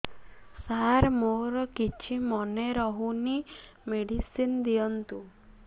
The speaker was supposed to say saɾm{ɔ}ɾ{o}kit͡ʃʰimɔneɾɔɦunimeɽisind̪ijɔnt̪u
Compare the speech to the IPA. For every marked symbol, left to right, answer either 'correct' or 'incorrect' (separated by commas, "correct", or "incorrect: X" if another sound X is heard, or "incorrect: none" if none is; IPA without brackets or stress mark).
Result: incorrect: o, incorrect: ɔ